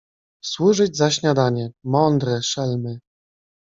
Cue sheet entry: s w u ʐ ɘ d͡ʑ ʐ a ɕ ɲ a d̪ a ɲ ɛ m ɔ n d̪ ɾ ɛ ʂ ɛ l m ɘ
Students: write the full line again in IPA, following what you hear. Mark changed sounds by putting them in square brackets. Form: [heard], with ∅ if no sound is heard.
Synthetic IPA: s w u ʐ ɘ d͡ʑ [z] a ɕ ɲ a d̪ a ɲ ɛ m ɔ n d̪ ɾ ɛ ʂ ɛ l m ɘ